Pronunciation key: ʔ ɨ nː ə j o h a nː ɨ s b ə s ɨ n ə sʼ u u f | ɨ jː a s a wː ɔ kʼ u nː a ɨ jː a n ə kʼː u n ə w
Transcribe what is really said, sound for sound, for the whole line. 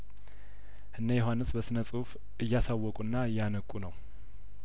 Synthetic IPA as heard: ʔ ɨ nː ə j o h a nː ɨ s b ə s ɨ n ə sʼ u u f | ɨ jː a s a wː ɔ kʼ u nː a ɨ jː a n ə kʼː u n ə w